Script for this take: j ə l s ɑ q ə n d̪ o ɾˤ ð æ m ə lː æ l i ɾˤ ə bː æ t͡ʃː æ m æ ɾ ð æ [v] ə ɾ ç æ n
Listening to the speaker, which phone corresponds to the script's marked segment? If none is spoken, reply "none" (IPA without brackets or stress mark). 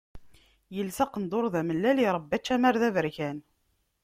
v